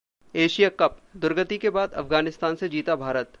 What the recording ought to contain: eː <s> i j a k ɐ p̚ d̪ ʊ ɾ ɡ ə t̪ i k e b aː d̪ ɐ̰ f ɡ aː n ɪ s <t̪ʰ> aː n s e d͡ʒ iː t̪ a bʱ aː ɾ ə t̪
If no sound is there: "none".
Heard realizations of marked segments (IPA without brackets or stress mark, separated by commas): ʃ, t̪